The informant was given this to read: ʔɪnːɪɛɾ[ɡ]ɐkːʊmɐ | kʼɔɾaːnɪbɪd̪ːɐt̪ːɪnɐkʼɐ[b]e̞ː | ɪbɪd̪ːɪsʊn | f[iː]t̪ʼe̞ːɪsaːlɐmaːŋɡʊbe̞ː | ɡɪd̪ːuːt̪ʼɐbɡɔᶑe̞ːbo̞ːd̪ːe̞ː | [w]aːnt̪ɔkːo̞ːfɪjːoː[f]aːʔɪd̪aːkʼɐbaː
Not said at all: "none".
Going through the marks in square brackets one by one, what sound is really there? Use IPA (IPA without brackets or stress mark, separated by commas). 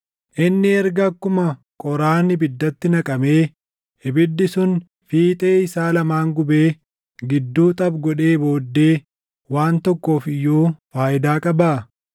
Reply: ɡ, m, iː, w, f